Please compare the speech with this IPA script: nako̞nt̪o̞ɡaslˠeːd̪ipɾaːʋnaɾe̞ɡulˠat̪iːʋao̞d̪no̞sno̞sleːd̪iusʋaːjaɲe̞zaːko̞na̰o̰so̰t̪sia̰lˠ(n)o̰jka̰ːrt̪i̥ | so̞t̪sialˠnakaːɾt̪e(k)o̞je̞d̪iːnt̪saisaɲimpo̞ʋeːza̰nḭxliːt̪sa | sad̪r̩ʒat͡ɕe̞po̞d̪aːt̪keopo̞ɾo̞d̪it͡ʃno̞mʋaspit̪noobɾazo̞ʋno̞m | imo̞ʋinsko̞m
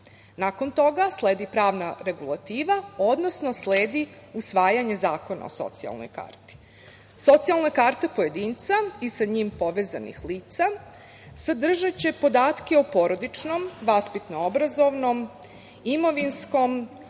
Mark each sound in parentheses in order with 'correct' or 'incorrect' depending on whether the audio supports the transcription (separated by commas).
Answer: correct, incorrect